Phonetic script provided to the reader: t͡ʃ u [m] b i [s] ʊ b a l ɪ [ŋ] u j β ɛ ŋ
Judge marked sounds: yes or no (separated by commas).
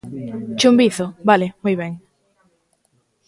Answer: yes, no, no